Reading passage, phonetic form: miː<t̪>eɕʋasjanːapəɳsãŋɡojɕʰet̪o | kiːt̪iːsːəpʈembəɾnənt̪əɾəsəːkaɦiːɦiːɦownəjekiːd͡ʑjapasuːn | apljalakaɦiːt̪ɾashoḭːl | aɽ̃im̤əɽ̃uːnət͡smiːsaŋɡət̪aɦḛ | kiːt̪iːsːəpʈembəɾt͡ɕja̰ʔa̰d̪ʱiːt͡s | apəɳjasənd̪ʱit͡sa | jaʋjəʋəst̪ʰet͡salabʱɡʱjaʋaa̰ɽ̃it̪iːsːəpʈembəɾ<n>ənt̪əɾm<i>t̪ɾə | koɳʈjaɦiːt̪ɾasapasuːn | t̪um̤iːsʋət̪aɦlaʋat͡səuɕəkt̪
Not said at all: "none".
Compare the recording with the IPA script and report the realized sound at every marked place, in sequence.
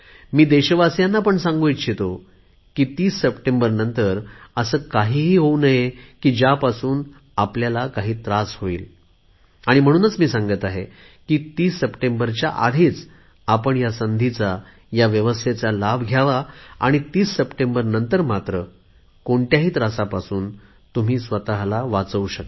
d̪, n, a

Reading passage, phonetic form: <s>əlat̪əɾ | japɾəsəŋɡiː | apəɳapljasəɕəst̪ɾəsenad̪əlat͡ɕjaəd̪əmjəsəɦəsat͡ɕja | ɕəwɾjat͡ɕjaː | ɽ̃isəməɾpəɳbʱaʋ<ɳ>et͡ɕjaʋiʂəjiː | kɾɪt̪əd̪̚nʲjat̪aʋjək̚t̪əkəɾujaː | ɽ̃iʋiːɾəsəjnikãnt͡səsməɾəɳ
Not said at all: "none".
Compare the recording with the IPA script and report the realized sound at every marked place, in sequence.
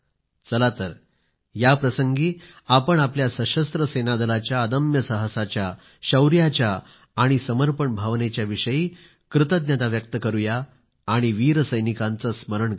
t͡s, n

